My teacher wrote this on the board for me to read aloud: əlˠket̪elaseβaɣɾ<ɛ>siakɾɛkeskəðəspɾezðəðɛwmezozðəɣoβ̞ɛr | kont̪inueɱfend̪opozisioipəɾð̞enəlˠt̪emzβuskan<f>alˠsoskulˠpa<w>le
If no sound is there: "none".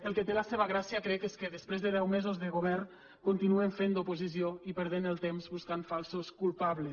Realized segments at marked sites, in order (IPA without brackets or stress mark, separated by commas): a, f, β